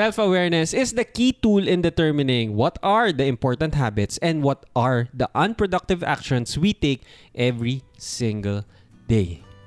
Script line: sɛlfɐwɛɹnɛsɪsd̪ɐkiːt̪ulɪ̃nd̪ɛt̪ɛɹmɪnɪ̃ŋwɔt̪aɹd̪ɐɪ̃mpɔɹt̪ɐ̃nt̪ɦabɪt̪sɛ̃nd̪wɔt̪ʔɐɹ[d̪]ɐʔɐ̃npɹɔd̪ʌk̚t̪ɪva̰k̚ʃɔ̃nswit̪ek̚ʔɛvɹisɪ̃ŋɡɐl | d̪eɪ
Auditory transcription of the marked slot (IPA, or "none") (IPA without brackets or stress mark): d̪